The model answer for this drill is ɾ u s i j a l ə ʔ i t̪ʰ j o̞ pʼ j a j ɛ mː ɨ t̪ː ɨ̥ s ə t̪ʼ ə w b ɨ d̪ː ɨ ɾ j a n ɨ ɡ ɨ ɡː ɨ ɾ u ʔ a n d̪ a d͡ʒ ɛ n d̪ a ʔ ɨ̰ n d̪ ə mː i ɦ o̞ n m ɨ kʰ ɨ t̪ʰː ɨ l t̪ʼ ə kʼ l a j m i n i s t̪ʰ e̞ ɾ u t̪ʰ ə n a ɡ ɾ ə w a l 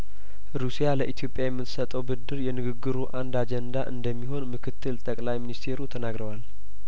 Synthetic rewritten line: ɾ u s i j a l ə ʔ i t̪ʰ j o̞ pʼ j a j ɛ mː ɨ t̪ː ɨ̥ s ə t̪ʼ ə w b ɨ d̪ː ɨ ɾ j ɛ n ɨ ɡ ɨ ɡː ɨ ɾ u ʔ a n d̪ a d͡ʒ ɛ n d̪ a ʔ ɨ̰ n d̪ ə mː i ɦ o̞ n m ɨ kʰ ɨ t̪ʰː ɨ l t̪ʼ ə kʼ l a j m i n i s t̪ʰ e̞ ɾ u t̪ʰ ə n a ɡ ɾ ə w a l

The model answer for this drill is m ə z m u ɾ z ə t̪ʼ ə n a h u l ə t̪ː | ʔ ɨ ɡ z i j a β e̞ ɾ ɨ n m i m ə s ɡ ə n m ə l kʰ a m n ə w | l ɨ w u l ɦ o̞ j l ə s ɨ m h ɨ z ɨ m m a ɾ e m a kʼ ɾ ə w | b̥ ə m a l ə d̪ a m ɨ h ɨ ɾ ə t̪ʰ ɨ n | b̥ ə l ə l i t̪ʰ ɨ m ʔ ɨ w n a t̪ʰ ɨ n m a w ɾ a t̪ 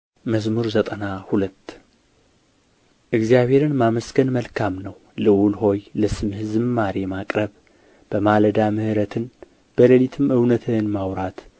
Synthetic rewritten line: m ə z m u ɾ z ə t̪ʼ ə n a h u l ə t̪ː | ʔ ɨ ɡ z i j a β e̞ ɾ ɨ n m a m ə s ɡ ə n m ə l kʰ a m n ə w | l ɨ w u l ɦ o̞ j l ə s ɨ m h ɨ z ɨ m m a ɾ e m a kʼ ɾ ə β | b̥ ə m a l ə d̪ a m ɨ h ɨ ɾ ə t̪ʰ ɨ n | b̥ ə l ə l i t̪ʰ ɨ m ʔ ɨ w n ə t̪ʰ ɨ n m a w ɾ a t̪

